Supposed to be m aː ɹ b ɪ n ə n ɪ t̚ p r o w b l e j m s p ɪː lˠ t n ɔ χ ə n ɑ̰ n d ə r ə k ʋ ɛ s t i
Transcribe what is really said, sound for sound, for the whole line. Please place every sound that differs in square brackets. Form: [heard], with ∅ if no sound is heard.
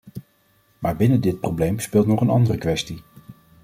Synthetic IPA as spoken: m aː ɹ b ɪ n ə [d] ɪ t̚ p r o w b l e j m s p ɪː lˠ t n ɔ χ ə n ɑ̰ n d ə r ə k ʋ ɛ s t i